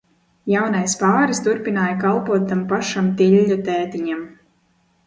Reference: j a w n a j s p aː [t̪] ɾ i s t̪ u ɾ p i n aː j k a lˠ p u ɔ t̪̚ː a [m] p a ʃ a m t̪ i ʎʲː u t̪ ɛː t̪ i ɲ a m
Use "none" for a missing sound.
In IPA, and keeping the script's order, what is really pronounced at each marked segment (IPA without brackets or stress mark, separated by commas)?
none, m